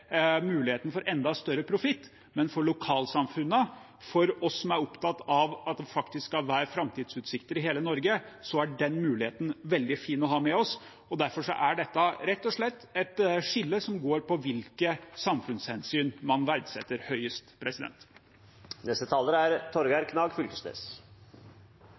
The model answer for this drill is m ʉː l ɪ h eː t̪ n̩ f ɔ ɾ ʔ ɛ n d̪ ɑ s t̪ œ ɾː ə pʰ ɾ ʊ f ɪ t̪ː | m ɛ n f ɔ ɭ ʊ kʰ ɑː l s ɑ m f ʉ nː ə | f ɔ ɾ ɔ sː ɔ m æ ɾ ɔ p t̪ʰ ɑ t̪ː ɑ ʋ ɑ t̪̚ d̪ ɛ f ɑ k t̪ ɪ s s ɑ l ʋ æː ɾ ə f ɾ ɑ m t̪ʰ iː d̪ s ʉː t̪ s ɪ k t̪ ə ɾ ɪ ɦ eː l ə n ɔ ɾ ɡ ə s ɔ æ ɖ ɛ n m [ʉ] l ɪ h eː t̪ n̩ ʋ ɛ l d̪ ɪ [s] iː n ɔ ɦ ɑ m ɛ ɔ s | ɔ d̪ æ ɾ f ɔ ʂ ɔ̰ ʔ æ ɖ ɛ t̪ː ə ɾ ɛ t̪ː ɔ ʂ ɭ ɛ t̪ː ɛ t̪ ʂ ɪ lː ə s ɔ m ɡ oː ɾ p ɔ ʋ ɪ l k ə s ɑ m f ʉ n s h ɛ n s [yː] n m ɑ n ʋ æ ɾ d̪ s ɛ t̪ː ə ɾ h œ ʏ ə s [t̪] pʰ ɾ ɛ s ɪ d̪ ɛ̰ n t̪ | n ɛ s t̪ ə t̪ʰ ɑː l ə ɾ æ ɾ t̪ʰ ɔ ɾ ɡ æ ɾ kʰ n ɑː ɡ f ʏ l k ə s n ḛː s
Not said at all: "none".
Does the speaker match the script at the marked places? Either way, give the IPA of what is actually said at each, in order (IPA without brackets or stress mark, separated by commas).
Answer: ʉː, f, yː, t̪